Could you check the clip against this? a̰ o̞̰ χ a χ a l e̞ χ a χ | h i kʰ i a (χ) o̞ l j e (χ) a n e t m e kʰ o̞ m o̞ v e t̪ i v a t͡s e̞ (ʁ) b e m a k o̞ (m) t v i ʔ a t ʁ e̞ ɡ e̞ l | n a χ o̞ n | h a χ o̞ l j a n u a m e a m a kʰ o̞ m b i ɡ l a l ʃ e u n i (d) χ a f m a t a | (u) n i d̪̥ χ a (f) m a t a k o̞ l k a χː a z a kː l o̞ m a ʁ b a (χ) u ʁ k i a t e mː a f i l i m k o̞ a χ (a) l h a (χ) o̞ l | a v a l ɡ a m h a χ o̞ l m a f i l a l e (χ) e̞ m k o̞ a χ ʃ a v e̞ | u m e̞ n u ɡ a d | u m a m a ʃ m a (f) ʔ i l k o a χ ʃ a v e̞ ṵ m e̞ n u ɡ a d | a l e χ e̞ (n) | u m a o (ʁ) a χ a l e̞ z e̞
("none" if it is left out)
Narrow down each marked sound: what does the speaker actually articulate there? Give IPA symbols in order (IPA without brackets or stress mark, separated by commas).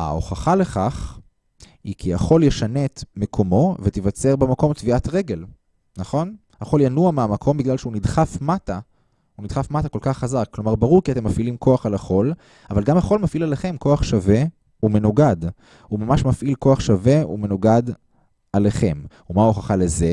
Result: χ, ʃ, ʁ, m, d, u, f, ʁ, a, χ, χ, f, m, χ